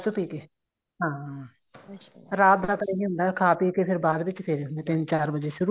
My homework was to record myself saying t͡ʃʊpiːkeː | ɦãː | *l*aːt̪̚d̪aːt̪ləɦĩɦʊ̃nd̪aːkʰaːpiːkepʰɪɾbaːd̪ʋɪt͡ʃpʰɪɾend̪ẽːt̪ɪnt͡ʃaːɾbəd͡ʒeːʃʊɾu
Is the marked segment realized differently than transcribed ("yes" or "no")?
yes